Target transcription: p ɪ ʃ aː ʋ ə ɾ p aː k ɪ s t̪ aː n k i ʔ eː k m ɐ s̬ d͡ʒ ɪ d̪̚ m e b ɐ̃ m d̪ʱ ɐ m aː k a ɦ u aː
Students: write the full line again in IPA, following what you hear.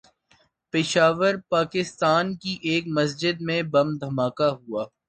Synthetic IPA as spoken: p ɪ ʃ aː ʋ ə ɾ p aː k ɪ s t̪ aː n k i ʔ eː k m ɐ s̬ d͡ʒ ɪ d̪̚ m ẽ b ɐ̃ m d̪ʱ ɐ m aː k a ɦ u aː